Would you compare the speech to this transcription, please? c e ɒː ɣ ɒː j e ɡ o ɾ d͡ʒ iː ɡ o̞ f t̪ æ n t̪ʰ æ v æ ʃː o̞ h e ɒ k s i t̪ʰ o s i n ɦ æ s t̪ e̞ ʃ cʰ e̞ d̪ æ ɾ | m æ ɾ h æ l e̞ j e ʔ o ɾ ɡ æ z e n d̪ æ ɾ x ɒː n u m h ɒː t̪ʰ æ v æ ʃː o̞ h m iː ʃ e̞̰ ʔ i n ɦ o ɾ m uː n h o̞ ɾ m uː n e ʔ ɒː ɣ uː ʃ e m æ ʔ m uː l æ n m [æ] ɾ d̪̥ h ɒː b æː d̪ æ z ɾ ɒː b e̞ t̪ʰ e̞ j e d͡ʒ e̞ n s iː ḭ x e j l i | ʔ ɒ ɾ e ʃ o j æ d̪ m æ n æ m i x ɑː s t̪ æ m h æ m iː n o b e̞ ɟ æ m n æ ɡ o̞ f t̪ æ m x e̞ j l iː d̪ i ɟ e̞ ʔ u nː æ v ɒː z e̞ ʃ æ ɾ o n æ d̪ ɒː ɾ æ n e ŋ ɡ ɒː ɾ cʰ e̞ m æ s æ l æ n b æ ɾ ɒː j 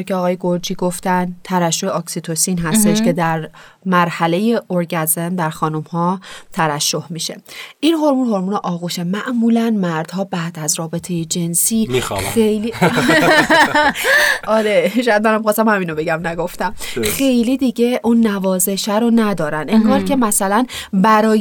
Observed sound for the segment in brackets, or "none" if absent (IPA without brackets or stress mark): æ